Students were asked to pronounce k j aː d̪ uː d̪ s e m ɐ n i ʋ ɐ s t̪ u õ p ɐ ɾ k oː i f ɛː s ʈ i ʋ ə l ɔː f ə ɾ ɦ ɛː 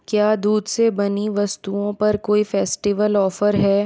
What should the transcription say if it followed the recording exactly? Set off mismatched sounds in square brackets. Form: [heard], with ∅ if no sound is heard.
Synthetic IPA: k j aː d̪ uː d̪ s e [b] ɐ n i ʋ ɐ s t̪ u õ p ɐ ɾ k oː i f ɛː s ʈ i ʋ ə l ɔː f ə ɾ ɦ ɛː

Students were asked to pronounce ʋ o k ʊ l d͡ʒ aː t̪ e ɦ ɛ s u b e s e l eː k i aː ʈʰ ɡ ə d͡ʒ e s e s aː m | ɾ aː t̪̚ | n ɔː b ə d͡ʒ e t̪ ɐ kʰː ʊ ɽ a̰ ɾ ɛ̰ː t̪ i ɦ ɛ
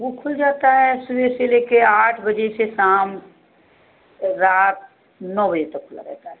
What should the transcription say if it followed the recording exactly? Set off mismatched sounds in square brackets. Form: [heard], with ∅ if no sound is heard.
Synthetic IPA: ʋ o [kʰ] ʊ l d͡ʒ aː t̪ [a] ɦ ɛ s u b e s e l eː k [e] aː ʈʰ [b] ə d͡ʒ e s e s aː m | ɾ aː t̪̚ | n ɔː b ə d͡ʒ e t̪ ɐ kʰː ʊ [l] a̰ ɾ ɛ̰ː t̪ [a] ɦ ɛ

